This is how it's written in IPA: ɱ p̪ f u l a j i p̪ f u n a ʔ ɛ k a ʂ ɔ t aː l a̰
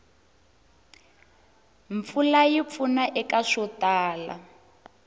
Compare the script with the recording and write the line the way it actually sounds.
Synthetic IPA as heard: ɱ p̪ f u l a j i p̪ f u n a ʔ ɛ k a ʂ ɔ t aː l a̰